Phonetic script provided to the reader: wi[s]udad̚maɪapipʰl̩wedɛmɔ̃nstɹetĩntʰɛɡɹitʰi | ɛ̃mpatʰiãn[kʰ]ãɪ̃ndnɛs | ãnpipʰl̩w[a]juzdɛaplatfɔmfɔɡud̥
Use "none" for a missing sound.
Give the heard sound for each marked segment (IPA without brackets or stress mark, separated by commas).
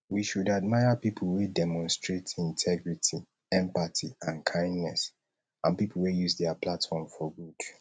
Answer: ʃ, kʰ, e